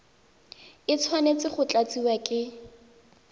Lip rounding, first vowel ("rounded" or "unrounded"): unrounded